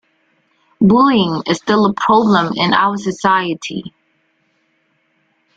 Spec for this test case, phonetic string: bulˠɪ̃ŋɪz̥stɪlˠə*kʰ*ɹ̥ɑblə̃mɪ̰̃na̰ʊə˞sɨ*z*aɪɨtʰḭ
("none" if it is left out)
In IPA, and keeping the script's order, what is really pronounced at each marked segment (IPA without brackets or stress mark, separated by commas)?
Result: pʰ, s